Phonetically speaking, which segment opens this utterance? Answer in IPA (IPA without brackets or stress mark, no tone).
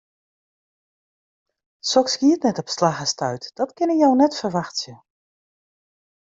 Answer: s